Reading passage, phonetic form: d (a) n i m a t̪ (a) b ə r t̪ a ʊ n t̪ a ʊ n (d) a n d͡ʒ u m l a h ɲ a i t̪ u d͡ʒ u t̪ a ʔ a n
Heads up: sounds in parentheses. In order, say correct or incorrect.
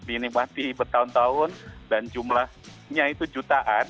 incorrect: i, incorrect: i, correct

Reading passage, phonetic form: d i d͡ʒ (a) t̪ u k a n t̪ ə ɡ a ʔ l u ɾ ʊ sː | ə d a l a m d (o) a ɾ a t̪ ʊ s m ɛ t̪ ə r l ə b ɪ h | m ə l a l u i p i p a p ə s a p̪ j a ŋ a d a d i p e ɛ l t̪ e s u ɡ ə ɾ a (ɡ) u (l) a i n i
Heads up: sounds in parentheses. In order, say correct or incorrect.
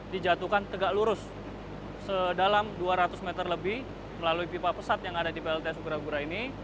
correct, incorrect: u, correct, incorrect: ɾ

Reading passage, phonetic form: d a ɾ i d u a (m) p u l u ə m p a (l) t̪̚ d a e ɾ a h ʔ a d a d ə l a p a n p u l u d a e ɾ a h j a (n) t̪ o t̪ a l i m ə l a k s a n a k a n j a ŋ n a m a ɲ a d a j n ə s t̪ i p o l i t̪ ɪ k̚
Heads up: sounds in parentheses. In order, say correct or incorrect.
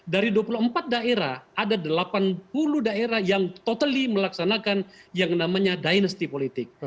incorrect: none, incorrect: none, incorrect: ŋ

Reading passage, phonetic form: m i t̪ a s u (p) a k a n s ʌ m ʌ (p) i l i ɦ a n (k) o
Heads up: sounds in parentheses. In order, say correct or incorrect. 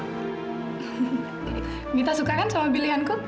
incorrect: k, incorrect: b, correct

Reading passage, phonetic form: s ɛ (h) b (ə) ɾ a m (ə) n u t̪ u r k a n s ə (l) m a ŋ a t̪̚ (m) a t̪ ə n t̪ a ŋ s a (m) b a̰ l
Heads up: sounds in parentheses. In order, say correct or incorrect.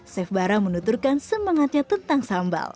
incorrect: f, incorrect: a, correct, incorrect: none, incorrect: ɲ, correct

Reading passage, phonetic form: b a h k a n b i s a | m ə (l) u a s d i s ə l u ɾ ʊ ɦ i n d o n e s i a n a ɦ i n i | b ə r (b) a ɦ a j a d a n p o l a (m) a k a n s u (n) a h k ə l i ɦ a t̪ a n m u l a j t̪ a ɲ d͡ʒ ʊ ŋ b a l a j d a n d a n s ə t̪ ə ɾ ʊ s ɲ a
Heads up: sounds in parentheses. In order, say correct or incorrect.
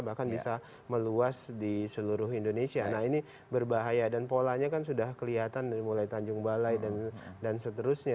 correct, correct, incorrect: ɲ, incorrect: d

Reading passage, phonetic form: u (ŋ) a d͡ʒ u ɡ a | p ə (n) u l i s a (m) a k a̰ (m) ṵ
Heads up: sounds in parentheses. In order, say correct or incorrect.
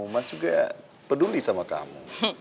incorrect: m, incorrect: d, correct, correct

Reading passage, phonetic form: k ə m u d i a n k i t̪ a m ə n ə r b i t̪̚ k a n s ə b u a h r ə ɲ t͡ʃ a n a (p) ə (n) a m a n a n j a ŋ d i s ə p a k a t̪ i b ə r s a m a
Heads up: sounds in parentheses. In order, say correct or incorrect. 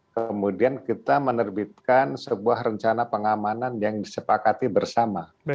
correct, incorrect: ŋ

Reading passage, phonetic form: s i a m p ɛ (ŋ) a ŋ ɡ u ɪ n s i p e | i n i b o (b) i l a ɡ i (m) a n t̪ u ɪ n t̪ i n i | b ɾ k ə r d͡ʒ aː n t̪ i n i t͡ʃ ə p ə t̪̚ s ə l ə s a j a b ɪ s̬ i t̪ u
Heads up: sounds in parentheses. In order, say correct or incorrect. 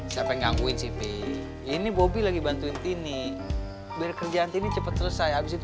correct, correct, incorrect: b

